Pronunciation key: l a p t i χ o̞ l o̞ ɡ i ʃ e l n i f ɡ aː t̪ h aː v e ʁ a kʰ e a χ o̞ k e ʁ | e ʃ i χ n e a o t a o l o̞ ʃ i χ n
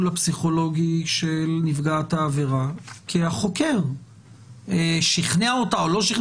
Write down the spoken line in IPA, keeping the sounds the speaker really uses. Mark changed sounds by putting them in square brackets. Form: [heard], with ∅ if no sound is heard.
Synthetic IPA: l a p [s] i χ o̞ l o̞ ɡ i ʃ e l n i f ɡ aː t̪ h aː v e ʁ a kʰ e a χ o̞ k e ʁ | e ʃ i χ n e a o t a o l o̞ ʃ i χ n